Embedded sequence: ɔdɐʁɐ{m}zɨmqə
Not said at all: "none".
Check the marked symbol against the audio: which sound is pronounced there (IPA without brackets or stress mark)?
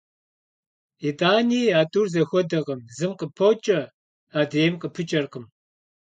m